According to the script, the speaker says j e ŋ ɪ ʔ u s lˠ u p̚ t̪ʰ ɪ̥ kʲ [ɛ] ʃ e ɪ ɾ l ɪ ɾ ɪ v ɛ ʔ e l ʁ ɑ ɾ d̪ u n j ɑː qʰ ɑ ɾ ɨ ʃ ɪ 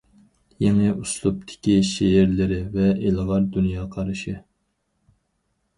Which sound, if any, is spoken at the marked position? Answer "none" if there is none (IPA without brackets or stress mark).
i